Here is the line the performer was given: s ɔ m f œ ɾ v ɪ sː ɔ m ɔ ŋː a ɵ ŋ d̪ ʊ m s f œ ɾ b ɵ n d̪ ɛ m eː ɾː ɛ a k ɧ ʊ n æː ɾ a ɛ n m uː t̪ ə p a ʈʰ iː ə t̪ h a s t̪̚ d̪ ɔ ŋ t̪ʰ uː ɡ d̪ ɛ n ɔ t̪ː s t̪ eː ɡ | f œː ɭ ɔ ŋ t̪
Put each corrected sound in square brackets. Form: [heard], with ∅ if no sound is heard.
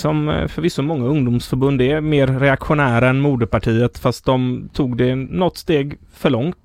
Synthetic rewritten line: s ɔ m f œ ɾ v ɪ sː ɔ m ɔ ŋː a ɵ ŋ d̪ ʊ m s f œ ɾ b ɵ n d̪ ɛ m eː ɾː ɛ a k ɧ ʊ n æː ɾ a ɛ n m uː [d̪] ə p a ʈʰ iː ə t̪ [f] a s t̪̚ d̪ ɔ [m] t̪ʰ uː ɡ d̪ ɛ n ɔ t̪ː s t̪ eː ɡ | f [œ] ɭ ɔ ŋ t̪